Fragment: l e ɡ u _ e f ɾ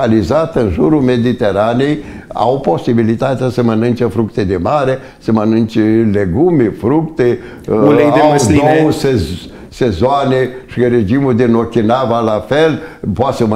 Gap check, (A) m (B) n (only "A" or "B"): A